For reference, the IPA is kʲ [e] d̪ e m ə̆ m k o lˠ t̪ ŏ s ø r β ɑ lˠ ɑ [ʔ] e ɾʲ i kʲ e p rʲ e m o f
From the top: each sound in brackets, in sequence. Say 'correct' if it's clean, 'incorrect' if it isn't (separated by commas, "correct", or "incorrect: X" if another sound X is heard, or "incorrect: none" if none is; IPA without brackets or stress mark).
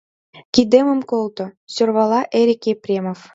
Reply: incorrect: i, correct